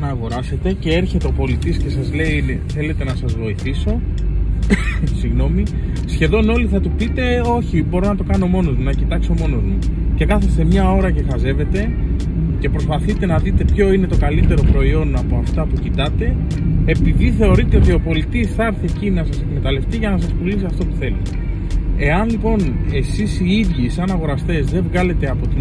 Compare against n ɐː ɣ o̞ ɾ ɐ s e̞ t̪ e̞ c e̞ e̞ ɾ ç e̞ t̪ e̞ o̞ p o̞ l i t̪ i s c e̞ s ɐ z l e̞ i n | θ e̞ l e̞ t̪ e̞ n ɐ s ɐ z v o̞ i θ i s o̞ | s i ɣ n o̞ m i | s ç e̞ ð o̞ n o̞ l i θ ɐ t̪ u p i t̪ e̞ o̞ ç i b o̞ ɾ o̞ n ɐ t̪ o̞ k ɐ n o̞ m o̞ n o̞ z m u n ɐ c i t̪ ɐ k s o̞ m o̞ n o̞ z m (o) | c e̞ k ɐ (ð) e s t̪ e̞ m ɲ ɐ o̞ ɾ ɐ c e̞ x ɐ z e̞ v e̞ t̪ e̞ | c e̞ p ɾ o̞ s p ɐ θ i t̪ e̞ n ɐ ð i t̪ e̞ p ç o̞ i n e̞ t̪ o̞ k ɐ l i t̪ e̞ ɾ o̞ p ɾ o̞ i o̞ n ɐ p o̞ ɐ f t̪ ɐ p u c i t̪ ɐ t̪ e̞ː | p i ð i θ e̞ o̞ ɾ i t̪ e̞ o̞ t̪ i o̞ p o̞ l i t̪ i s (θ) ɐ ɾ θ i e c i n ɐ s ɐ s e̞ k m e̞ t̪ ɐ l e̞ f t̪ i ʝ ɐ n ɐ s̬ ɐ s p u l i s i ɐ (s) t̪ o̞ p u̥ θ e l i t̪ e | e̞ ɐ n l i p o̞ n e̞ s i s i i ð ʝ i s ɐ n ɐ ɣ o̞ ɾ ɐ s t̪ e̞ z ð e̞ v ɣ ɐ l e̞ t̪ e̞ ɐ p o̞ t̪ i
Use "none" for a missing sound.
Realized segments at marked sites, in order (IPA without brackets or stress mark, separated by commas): u, θ, θ, f